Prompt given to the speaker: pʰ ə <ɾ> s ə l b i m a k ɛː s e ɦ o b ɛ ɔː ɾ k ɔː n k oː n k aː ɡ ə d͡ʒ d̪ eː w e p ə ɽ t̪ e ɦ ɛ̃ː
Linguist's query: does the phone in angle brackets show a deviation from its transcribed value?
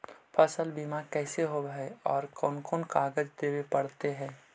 yes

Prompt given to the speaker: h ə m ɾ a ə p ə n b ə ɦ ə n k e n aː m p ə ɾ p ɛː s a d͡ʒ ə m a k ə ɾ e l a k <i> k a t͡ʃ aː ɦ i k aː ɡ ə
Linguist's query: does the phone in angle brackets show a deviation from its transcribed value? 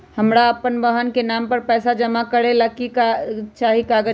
no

